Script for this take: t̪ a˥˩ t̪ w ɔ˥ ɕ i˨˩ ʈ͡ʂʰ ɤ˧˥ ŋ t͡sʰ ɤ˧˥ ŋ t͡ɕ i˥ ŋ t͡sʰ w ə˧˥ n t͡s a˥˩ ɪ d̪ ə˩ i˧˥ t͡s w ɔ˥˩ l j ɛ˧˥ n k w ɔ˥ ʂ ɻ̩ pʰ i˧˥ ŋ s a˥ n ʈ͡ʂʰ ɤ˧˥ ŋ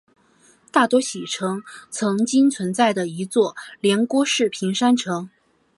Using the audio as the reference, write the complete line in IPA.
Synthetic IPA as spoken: t̪ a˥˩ t̪ w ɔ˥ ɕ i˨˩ ʈ͡ʂʰ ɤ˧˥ ŋ t͡sʰ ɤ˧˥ ŋ t͡ɕ i˥ ŋ t͡sʰ w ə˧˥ n t͡s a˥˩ ɪ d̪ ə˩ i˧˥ t͡s w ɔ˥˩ l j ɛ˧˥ n k w ɔ˥ ʂ ɻ̩ pʰ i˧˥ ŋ ʂ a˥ n ʈ͡ʂʰ ɤ˧˥ ŋ

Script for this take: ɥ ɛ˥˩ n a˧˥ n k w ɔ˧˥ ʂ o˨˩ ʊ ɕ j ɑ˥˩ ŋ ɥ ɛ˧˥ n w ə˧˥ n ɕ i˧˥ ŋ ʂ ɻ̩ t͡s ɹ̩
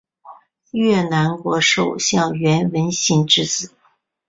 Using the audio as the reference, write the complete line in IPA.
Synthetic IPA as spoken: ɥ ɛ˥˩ n a˧˥ n k w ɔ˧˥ ʂ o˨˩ ʊ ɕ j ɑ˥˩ ŋ ɥ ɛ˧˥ n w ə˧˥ n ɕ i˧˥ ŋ ʈ͡ʂ ɻ̩ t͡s ɹ̩

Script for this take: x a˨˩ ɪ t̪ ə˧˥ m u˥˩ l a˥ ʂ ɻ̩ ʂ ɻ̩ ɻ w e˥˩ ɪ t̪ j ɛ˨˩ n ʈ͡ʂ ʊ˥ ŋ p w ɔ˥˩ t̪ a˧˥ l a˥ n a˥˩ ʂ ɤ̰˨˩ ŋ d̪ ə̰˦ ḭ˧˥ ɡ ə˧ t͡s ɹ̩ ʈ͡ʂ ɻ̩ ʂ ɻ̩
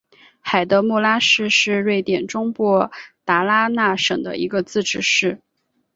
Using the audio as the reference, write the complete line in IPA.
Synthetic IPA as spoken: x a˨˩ ɪ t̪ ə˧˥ m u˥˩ l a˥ ʂ ɻ̩ ʂ ɻ̩ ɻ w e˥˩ ɪ t̪ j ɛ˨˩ n ʈ͡ʂ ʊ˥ ŋ p w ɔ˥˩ t̪ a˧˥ l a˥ n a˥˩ ʂ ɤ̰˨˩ ŋ d̪ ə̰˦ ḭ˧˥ ɡ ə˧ t͡s ɹ̩ ʈ͡ʂ ɻ̩ ʂ ɻ̩

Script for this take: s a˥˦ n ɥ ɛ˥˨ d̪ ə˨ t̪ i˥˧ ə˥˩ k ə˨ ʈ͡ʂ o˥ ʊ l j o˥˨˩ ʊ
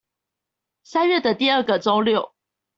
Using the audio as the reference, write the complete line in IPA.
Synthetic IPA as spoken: s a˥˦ n ɥ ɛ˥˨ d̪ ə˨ t̪ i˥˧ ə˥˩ ɡ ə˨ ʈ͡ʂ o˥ ʊ l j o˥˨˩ ʊ

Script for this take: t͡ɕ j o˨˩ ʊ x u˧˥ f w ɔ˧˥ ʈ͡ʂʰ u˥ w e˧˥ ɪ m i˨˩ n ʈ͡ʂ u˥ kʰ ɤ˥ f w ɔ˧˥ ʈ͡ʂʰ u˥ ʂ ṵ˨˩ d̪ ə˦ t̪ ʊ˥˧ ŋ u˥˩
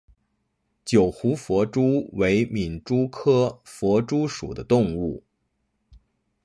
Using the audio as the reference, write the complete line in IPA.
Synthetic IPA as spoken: t͡ɕ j o˨˩ ʊ x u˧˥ f w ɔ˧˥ ʈ͡ʂ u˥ w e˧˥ ɪ m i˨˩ n ʈ͡ʂ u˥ kʰ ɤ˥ f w ɔ˧˥ ʈ͡ʂ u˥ ʂ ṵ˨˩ d̪ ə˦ t̪ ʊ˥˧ ŋ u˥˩

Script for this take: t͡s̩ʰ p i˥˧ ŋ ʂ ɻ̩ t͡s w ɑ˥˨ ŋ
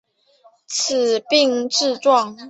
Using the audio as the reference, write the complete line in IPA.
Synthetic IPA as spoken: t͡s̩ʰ p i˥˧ ŋ ʈ͡ʂ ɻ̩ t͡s w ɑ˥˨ ŋ

